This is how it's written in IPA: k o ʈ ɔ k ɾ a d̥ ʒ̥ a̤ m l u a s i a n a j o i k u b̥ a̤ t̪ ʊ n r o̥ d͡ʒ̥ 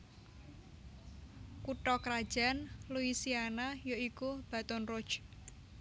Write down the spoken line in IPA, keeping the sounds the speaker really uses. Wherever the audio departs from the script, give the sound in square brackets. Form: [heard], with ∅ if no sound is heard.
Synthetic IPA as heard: k [u] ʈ ɔ k ɾ a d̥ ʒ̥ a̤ [n] l u [i] s i a n a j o i k u b̥ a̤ t̪ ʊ n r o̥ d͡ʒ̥